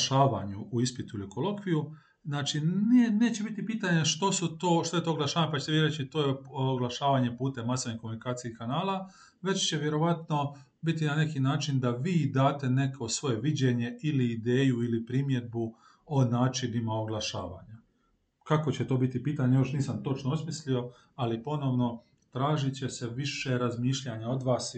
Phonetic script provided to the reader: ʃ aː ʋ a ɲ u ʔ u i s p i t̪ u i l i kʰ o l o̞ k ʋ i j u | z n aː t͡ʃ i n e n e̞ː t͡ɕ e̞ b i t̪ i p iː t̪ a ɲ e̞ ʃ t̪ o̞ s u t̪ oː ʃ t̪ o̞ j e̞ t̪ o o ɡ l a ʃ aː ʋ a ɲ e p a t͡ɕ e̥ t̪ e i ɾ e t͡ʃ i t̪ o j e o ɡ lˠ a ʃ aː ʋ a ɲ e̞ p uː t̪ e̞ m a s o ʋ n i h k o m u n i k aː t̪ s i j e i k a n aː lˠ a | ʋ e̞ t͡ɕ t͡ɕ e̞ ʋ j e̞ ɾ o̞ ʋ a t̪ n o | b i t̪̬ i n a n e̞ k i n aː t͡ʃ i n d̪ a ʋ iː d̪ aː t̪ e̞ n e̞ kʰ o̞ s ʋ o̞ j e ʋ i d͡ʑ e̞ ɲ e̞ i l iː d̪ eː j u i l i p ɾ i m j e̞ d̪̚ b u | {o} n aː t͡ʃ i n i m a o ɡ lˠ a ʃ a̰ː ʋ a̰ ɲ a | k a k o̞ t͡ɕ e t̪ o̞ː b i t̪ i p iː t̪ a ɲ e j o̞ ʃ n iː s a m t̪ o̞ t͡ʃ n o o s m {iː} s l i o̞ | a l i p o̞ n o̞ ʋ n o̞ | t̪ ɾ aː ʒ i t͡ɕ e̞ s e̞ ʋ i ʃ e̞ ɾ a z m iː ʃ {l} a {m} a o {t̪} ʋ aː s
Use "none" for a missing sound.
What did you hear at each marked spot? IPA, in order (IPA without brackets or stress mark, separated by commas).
o, i, ʎ, ɲ, d̪